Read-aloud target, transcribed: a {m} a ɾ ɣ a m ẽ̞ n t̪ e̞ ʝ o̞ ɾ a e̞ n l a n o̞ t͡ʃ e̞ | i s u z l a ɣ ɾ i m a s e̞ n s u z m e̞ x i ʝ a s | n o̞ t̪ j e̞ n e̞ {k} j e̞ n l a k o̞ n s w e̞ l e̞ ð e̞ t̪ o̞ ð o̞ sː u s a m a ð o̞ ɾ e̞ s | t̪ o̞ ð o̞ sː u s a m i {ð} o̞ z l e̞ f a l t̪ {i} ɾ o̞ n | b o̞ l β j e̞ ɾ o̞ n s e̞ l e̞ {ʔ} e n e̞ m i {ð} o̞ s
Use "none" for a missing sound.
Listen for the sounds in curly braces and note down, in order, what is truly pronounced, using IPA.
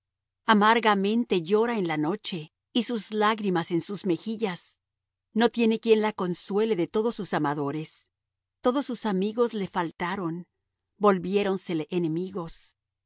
m, k, ɣ, a, ʔ, ɣ

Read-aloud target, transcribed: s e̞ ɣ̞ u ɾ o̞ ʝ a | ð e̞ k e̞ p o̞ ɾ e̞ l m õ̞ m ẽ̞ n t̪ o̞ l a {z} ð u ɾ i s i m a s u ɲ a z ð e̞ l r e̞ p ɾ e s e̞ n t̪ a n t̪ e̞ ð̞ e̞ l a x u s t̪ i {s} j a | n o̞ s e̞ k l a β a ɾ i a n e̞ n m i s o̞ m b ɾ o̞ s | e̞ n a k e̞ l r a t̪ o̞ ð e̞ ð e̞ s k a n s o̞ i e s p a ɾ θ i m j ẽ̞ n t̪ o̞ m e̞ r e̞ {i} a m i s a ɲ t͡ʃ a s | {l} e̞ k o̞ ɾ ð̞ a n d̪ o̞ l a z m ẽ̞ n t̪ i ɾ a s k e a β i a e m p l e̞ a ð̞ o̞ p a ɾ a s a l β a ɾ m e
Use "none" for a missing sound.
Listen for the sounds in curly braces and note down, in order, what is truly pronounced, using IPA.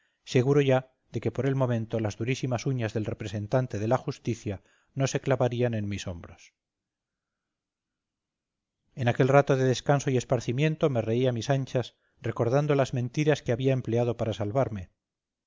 z, θ, i, r

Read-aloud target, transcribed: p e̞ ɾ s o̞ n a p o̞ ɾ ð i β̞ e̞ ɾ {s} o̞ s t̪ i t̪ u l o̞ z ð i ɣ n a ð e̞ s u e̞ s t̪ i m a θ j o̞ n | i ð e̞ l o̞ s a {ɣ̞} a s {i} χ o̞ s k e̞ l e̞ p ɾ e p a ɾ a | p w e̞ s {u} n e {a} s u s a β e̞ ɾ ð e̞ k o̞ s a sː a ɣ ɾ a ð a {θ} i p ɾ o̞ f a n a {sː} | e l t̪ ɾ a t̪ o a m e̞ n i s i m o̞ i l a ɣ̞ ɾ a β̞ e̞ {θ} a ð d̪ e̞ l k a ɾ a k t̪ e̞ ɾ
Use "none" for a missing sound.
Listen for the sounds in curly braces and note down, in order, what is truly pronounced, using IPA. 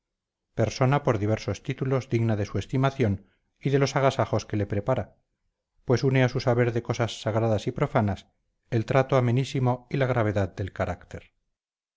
s, ɣ̞, a, u, a, s, s, ð

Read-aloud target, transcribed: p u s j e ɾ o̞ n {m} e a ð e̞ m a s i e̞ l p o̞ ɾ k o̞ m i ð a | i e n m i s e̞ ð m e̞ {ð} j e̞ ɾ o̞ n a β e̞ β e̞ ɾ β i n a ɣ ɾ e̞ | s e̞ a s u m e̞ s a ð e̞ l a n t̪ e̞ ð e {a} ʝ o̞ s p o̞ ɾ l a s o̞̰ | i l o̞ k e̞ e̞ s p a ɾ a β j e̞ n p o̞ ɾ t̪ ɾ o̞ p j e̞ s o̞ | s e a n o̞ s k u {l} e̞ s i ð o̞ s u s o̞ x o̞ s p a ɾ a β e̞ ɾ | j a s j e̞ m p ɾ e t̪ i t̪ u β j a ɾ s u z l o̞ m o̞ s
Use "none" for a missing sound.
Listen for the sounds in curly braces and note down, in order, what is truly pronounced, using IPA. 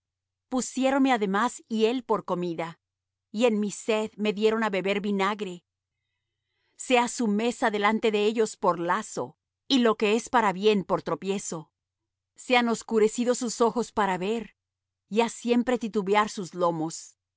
m, ð, e, ɾ

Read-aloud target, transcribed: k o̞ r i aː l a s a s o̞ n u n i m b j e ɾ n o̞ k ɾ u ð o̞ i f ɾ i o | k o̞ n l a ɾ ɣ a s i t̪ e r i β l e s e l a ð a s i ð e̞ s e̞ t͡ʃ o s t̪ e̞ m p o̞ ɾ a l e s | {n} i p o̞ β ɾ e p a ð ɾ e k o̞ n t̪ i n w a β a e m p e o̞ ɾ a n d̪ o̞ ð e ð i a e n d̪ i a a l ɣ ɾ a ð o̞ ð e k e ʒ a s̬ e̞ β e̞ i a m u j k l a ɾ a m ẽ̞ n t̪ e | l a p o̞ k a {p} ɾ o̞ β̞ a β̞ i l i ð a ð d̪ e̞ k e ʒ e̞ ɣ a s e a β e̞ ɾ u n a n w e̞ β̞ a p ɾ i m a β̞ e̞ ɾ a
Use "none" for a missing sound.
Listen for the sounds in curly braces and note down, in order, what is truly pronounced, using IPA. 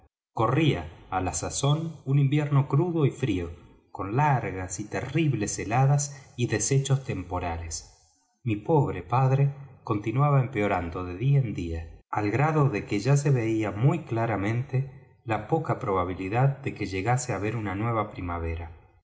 m, p

